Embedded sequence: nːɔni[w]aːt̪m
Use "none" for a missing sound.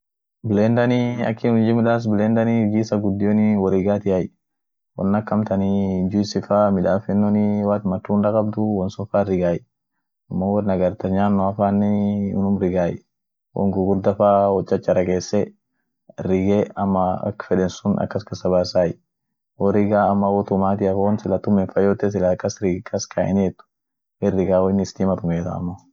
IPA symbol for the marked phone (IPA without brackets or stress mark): w